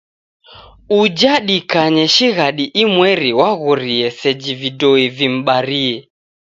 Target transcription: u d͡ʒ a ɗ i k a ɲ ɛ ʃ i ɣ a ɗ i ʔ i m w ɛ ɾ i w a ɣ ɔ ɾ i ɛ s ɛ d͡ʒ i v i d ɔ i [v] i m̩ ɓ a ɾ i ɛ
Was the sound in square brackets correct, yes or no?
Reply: yes